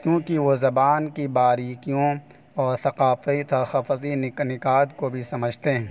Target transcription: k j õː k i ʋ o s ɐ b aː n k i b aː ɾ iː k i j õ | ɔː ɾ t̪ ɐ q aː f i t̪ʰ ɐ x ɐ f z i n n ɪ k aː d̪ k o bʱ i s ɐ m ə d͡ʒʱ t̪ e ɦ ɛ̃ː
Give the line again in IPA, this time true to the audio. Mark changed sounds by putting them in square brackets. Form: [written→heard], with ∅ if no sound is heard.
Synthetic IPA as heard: k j õː k i ʋ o [s→z] ɐ b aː n k i b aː ɾ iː k i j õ | ɔː ɾ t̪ ɐ q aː f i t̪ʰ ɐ x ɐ f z i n n ɪ k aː d̪ k o bʱ i s ɐ m ə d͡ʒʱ t̪ e ɦ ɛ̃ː